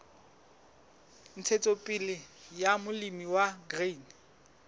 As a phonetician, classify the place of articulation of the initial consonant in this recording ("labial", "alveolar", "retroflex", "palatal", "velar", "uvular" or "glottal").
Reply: alveolar